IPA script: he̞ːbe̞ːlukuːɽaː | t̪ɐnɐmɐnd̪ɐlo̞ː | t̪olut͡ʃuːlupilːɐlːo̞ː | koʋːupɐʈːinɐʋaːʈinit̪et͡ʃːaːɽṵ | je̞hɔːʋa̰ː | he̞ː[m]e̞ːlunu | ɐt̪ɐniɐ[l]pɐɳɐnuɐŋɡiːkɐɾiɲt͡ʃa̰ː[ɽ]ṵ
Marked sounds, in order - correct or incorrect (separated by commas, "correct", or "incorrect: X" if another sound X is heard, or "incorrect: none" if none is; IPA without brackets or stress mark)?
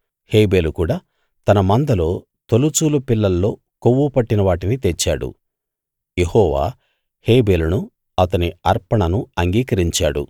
incorrect: b, incorrect: ɾ, correct